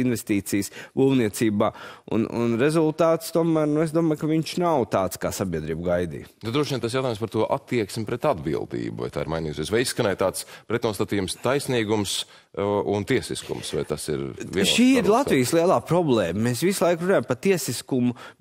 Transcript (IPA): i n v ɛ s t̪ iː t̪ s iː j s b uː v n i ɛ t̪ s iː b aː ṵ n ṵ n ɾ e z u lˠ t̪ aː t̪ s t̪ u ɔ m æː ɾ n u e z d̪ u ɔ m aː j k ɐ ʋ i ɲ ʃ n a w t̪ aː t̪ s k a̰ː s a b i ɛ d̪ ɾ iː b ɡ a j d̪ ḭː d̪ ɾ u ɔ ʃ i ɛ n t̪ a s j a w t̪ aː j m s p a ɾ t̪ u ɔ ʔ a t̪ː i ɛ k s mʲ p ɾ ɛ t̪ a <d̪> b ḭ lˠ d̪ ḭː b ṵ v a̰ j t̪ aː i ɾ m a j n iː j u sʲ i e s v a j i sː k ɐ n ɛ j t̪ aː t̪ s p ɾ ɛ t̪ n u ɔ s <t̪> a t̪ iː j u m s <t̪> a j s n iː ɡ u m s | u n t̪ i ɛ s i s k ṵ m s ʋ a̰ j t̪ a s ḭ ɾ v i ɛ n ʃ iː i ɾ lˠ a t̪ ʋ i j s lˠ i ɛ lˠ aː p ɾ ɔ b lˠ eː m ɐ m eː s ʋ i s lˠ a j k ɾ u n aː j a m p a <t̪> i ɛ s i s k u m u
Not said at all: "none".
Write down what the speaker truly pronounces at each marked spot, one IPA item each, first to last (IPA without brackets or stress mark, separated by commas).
d̪, t̪, t̪, t̪